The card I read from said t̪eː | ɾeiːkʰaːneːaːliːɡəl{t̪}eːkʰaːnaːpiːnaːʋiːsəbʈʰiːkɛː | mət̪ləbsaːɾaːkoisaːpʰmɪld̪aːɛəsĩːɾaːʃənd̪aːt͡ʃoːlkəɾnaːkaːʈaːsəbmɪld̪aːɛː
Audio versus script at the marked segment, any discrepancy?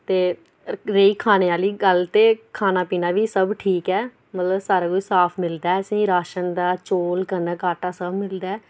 no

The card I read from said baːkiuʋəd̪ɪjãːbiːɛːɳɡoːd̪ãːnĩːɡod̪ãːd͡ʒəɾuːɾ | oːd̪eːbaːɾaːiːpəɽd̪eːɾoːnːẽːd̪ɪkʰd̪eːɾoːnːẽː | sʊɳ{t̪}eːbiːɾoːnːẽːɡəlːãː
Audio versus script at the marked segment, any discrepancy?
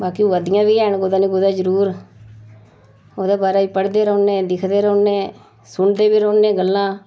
yes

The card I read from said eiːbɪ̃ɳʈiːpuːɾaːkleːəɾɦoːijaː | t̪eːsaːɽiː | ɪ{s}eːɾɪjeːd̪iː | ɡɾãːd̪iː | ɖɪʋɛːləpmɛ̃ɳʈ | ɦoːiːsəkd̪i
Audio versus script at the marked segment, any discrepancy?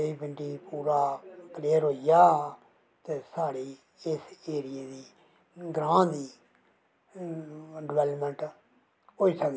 no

